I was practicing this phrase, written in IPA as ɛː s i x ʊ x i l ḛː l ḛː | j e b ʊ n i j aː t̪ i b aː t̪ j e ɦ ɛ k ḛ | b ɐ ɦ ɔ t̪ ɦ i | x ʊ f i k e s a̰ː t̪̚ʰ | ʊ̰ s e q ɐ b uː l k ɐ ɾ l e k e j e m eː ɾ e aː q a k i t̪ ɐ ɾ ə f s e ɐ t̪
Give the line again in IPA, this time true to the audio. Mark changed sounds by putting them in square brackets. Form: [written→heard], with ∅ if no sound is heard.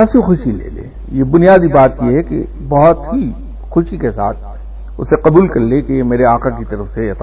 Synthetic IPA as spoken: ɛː s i x ʊ [x→ʃ] i l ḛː l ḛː | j e b ʊ n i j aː [t̪→d̪] i b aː t̪ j e ɦ ɛ k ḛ | b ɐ ɦ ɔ t̪ ɦ i | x ʊ [f→ʃ] i k e s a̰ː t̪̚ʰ | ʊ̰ s e q ɐ b uː l k ɐ ɾ l e k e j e m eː ɾ e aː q a k i t̪ ɐ ɾ ə f s e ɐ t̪